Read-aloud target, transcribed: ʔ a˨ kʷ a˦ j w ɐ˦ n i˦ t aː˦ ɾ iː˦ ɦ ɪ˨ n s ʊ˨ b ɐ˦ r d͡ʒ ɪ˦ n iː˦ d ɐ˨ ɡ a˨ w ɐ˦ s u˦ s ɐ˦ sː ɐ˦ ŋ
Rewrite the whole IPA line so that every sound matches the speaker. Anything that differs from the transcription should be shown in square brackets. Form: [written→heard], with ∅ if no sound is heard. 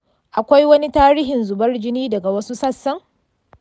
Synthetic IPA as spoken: ʔ a˨ kʷ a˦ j w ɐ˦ n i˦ t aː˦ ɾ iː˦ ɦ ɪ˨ n [s→z] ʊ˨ b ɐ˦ r d͡ʒ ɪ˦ n iː˦ d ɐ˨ ɡ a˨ w ɐ˦ s u˦ s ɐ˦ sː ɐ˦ ŋ